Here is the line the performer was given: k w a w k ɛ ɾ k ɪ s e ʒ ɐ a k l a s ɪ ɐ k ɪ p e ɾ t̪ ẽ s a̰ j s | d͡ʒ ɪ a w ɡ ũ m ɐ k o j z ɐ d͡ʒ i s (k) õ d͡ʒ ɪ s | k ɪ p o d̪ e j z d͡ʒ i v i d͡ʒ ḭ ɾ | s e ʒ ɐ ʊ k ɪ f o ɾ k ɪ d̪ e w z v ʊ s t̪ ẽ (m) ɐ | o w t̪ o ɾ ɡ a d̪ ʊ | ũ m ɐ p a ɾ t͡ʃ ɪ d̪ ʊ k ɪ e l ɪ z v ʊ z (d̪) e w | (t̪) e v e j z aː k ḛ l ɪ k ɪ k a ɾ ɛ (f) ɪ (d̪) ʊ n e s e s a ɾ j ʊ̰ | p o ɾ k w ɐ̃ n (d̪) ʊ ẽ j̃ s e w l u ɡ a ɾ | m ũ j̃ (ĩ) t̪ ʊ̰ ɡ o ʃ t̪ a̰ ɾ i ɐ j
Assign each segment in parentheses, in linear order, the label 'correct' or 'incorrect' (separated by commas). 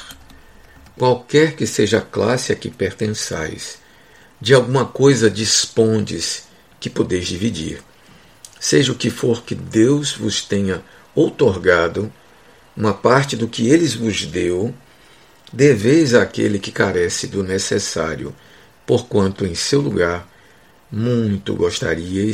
incorrect, incorrect, correct, incorrect, incorrect, correct, incorrect, incorrect